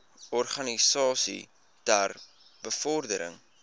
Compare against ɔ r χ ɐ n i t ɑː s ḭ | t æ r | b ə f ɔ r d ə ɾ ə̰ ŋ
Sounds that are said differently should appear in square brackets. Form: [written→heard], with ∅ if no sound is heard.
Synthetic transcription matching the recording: ɔ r χ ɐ n i [t→s] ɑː s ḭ | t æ r | b ə f ɔ r d ə ɾ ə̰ ŋ